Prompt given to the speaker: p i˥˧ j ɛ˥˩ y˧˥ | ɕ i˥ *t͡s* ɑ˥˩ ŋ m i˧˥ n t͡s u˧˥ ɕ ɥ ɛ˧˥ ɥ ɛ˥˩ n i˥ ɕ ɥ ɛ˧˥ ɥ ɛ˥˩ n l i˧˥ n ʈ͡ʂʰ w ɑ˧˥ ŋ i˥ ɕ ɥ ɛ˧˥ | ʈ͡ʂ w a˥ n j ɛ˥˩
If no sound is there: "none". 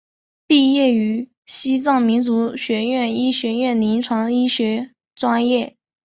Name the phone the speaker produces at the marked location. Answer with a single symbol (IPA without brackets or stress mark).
t͡s